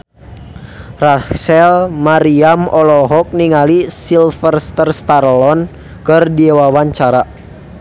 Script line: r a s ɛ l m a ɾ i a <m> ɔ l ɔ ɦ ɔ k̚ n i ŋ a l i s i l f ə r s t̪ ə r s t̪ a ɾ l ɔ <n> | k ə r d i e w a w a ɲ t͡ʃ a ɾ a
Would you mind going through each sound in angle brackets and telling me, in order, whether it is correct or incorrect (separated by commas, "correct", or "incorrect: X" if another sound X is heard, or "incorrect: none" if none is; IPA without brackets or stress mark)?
correct, correct